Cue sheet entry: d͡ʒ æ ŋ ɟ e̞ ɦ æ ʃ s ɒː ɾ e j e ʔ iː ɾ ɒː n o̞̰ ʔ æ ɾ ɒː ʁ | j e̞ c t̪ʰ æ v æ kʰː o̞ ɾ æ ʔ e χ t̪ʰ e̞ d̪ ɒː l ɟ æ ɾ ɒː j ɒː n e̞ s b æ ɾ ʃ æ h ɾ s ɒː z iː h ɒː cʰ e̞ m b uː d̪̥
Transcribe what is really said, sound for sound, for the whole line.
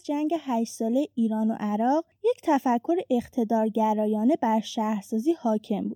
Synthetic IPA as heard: d͡ʒ æ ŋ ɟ e̞ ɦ æ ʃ s ɒː l e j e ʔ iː ɾ ɒː n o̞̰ ʔ æ ɾ ɒː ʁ | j e̞ c t̪ʰ æ f æ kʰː o̞ ɾ e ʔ e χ t̪ʰ e̞ d̪ ɒː ɾ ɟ æ ɾ ɒː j ɒː n e̞ b æ ɾ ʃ æ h ɾ s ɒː z iː h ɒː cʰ e̞ m b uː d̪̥